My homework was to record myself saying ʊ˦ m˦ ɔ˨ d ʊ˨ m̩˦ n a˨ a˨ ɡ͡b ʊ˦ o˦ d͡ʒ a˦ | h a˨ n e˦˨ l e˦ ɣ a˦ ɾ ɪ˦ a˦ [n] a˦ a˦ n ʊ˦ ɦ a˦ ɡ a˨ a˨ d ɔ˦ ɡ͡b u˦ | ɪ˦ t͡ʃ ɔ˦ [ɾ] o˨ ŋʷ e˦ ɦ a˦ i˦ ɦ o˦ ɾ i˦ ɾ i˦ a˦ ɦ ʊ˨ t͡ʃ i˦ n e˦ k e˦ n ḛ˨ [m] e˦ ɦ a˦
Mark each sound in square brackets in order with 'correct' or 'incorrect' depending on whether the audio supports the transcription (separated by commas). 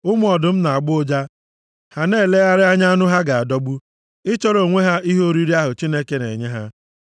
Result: incorrect, correct, incorrect